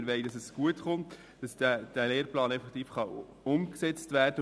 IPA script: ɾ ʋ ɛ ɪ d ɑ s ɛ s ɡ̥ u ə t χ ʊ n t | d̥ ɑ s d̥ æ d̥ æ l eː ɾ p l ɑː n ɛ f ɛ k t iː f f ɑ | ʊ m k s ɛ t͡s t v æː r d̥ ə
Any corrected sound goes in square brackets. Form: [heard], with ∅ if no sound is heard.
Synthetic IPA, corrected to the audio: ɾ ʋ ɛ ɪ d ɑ s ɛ s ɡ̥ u ə t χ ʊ n t | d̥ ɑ s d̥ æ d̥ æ l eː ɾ p l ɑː n ɛ f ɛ k t iː f [χ] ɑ | ʊ m k s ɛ t͡s t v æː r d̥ ə